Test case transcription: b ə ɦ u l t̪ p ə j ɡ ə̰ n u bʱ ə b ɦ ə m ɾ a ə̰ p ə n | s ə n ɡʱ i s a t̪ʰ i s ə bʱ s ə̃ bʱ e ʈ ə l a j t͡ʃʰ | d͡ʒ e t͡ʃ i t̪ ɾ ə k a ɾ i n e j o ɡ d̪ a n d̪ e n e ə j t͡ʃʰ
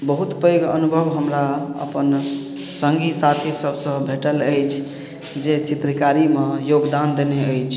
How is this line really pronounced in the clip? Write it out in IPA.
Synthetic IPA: b ə ɦ u t̪ p ə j ɡ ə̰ n u bʱ ə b ɦ ə m ɾ a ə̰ p ə n | s ə ŋ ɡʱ i s a t̪ʰ i s ə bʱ s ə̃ bʱ e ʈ ə l ə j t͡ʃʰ | d͡ʒ e t͡ʃ i t̪ ɾ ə k a ɾ i m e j o ɡ d̪ a n d̪ e n e ə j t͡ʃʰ